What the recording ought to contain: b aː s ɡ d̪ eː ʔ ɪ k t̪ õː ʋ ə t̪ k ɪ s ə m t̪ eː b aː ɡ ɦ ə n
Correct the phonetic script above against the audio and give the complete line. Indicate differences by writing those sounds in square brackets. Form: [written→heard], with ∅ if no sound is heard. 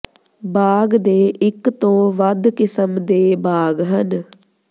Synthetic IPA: b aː [s→∅] ɡ d̪ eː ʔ ɪ k t̪ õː ʋ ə [t̪→d̪] k ɪ s ə m [t̪→d̪] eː b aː ɡ ɦ ə n